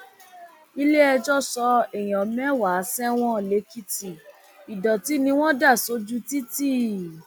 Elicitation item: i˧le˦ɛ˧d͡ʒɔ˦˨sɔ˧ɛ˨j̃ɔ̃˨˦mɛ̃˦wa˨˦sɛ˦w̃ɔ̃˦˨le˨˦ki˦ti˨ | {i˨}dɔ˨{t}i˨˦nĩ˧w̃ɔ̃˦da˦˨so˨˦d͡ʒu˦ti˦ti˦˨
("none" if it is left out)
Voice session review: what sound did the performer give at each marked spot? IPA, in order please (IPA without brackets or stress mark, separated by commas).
i˨, t